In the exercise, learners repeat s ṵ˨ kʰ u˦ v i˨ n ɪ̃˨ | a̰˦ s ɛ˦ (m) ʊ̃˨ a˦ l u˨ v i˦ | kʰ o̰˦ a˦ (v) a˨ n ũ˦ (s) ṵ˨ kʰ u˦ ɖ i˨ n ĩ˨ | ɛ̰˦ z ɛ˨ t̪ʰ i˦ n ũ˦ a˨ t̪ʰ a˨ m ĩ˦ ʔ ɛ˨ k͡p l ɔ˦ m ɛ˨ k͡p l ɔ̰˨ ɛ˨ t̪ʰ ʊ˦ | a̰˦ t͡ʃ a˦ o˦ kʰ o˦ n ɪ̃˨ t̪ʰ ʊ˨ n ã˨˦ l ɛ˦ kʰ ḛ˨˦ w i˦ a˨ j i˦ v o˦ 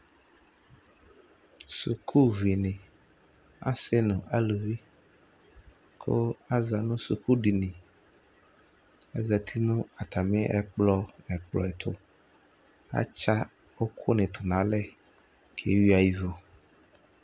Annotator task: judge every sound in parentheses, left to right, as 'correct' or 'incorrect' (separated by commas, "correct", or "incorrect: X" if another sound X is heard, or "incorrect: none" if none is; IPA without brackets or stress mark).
incorrect: n, incorrect: z, correct